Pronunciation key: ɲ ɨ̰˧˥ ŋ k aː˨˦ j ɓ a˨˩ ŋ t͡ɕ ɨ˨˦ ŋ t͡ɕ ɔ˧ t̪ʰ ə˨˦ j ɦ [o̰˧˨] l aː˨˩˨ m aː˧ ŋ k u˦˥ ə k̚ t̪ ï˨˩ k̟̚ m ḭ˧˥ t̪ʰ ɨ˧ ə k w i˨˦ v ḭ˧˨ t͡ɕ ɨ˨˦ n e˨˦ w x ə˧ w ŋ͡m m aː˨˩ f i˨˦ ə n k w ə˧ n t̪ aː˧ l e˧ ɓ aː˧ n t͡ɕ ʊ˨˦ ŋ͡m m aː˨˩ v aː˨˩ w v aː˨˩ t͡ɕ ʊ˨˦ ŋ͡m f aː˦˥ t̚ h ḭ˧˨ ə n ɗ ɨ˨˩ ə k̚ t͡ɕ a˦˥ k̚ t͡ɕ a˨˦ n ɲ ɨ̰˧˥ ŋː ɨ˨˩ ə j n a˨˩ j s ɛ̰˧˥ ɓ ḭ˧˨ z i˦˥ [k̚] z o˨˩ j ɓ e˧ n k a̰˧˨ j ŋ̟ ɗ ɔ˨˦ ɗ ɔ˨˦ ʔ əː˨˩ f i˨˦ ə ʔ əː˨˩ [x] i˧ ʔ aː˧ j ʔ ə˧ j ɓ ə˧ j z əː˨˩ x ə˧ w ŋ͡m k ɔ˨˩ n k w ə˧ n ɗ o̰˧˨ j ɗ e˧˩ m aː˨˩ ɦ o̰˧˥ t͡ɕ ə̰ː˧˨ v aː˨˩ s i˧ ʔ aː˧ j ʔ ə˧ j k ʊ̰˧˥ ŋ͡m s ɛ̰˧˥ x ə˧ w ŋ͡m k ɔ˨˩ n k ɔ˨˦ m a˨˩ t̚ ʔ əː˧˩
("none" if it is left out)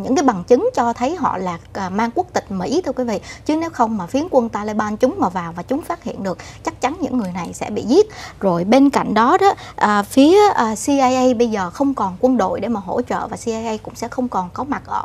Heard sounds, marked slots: ɔ̰˧˨, t̚, s

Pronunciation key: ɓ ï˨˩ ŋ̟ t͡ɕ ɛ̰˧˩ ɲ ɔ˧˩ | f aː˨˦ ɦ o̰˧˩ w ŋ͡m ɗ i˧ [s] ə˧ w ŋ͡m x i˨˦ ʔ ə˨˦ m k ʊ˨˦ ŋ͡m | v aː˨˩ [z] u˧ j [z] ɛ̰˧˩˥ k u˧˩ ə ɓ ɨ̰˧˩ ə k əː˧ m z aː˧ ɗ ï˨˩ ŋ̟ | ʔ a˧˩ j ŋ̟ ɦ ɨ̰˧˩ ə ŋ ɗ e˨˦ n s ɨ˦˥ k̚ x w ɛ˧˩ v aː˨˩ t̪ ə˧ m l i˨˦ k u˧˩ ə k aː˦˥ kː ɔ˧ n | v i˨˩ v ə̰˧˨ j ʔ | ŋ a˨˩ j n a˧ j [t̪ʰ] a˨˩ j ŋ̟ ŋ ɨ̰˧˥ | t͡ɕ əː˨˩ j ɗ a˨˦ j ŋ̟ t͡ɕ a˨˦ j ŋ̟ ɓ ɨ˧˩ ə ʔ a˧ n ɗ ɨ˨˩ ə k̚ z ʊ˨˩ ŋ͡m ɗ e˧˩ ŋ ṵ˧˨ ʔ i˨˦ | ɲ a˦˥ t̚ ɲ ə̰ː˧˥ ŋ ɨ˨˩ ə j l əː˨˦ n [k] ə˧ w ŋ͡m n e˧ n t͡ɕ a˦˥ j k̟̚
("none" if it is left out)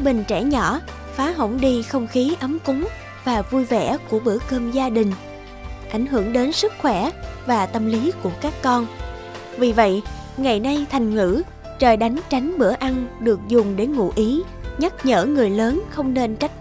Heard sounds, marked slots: x, v, v, t̪ʰ, x

